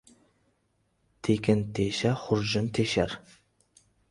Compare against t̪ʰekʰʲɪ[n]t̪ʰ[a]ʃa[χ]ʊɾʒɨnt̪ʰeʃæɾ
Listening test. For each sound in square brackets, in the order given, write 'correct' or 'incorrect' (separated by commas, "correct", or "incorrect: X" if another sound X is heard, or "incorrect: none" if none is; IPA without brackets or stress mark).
correct, incorrect: e, correct